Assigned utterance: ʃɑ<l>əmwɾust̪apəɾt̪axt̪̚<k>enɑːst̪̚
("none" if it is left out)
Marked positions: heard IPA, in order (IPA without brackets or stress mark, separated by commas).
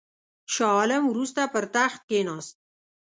l, k